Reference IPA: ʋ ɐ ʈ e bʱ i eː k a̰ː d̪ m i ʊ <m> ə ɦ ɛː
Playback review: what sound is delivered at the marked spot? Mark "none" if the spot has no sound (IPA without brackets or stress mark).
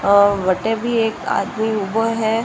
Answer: b